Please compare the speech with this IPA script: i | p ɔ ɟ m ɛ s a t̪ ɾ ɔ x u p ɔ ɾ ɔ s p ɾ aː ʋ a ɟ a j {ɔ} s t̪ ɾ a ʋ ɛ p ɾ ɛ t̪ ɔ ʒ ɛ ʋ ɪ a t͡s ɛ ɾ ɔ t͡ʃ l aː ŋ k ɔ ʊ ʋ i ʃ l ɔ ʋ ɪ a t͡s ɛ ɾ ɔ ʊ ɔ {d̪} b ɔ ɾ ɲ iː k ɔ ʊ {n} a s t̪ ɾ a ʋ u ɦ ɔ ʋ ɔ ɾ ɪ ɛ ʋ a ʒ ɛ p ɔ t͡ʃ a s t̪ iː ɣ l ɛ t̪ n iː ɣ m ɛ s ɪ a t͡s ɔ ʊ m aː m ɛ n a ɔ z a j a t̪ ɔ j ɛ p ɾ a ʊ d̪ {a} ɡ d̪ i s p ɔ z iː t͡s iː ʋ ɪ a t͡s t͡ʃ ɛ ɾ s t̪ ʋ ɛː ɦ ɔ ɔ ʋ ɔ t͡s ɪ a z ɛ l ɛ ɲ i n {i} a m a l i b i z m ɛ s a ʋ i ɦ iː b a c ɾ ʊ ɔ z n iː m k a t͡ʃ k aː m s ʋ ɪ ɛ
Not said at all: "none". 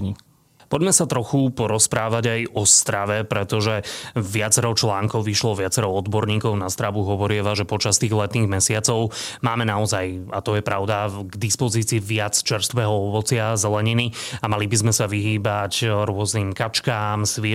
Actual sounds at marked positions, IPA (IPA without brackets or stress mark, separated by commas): ɔ, d̪, n, a, i